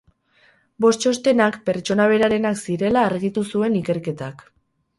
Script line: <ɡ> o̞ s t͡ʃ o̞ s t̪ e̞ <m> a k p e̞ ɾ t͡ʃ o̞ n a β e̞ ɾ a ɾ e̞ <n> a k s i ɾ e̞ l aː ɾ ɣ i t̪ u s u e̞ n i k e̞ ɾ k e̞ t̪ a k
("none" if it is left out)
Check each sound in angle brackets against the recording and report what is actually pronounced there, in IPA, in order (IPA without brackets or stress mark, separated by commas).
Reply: b, n, n